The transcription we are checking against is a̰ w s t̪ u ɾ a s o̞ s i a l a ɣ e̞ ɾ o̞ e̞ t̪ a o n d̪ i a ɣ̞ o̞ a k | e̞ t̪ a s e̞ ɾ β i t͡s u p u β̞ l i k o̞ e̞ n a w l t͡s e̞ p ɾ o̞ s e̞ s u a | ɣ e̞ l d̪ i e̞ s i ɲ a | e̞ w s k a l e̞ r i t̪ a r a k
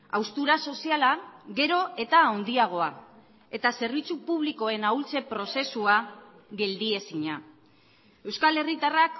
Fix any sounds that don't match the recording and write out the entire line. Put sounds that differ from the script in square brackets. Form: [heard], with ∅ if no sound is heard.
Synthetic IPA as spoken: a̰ w s t̪ u ɾ a s o̞ s i a l a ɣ e̞ ɾ o̞ e̞ t̪ a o n d̪ i a ɣ̞ o̞ a [∅] | e̞ t̪ a s e̞ ɾ β i t͡s u p u β̞ l i k o̞ e̞ n a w l t͡s e̞ p ɾ o̞ s e̞ s u a | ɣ e̞ l d̪ i e̞ s i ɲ a | e̞ w s k a l e̞ r i t̪ a r a k